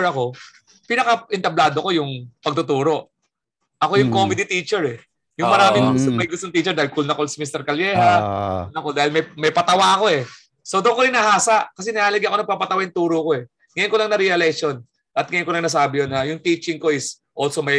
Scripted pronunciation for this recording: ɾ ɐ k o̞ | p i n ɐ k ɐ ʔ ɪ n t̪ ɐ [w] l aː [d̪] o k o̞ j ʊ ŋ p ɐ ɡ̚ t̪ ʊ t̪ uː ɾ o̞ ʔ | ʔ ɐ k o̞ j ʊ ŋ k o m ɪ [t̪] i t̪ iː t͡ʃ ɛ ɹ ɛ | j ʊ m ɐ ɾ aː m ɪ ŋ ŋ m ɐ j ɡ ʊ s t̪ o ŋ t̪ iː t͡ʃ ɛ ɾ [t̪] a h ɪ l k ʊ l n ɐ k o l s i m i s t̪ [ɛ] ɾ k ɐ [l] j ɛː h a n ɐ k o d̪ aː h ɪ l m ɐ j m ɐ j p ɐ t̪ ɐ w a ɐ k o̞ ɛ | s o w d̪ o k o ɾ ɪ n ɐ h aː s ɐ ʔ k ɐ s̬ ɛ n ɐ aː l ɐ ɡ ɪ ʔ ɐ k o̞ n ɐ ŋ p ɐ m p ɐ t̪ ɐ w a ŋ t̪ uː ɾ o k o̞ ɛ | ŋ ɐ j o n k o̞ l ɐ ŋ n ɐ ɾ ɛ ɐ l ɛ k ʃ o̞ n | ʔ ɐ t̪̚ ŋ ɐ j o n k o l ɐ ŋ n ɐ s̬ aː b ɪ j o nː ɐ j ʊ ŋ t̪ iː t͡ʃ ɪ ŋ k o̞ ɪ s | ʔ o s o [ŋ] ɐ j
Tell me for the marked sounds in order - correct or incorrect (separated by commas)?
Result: incorrect, correct, incorrect, incorrect, correct, correct, incorrect